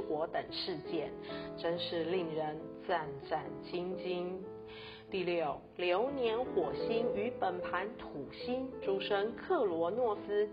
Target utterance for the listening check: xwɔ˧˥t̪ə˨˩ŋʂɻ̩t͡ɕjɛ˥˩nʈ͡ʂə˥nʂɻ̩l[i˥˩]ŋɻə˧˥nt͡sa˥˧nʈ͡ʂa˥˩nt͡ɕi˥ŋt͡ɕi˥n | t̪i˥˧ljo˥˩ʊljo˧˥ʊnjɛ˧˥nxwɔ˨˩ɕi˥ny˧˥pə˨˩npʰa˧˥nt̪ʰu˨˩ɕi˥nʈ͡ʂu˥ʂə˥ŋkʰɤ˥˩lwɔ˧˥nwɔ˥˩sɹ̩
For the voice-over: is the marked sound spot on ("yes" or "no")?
yes